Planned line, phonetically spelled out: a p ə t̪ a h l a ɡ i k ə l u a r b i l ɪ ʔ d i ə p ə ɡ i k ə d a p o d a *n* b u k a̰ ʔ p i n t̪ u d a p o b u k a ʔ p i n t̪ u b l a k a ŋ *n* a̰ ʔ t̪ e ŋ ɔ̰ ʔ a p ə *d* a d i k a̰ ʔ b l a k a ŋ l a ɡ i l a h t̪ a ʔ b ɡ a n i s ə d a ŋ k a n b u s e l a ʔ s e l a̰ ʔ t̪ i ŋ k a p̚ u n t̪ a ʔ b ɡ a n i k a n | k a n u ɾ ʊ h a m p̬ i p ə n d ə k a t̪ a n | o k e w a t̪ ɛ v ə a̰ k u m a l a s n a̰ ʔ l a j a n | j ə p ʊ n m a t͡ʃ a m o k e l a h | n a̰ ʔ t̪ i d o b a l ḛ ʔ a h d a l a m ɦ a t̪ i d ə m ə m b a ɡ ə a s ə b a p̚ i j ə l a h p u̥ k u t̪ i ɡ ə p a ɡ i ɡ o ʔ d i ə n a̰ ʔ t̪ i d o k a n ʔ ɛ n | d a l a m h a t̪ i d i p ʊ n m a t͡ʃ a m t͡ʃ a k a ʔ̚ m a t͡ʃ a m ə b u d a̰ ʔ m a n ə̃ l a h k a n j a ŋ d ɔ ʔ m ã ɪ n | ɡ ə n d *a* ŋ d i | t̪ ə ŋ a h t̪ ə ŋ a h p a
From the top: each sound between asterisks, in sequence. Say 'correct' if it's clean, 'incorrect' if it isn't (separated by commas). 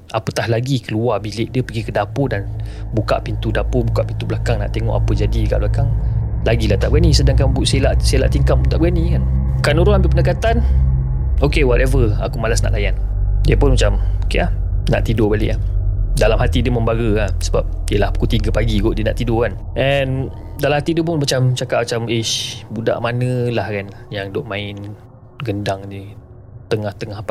correct, correct, incorrect, correct